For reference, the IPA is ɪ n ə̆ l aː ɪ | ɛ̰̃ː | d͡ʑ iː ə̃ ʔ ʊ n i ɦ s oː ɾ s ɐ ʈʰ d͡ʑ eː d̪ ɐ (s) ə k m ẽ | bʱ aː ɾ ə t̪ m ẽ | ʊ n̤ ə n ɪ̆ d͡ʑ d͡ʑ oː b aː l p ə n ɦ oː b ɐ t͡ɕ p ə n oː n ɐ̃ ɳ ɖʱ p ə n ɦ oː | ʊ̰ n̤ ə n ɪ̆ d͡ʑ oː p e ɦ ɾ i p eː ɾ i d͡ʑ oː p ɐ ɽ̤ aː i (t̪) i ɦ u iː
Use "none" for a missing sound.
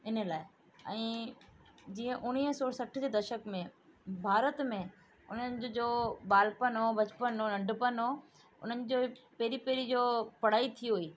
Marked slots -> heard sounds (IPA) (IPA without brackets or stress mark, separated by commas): ʃ, t̪ʰ